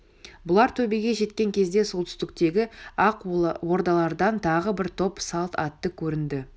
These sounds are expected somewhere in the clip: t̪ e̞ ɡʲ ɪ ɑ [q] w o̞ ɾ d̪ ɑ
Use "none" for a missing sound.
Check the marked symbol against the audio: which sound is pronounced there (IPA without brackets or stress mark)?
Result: q